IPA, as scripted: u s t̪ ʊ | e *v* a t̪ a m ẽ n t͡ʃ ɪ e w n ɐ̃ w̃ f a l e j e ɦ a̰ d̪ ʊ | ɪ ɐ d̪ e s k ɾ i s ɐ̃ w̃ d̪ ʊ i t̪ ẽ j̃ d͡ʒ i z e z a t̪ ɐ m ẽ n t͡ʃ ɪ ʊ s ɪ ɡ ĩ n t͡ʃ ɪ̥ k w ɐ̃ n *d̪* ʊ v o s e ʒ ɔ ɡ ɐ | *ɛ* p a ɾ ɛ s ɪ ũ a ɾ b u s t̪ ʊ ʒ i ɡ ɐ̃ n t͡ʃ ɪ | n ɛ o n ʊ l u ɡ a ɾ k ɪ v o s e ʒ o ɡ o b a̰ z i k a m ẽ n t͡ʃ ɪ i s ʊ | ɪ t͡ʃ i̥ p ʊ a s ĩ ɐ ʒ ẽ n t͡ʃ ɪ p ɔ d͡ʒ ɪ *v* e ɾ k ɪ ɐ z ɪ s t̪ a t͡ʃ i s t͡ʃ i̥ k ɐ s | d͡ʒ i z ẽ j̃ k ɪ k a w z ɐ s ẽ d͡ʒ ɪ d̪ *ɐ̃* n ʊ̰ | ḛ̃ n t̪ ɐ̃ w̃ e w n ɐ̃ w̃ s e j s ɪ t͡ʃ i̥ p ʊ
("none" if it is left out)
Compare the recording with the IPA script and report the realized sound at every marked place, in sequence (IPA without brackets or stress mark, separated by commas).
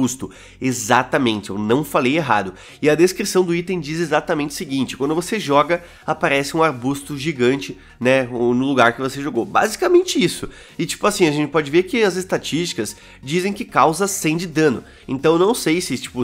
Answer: z, d̪, a, v, ɐ̃